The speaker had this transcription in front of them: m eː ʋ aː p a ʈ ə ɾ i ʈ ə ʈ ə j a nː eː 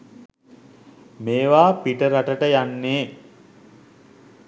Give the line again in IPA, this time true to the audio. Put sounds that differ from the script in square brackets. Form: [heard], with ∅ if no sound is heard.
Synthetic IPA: m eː ʋ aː p [i] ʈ ə ɾ [a] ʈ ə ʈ ə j a nː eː